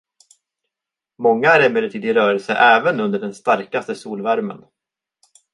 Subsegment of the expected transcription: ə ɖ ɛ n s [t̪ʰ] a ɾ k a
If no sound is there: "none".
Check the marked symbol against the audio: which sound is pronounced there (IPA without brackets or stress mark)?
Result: t̪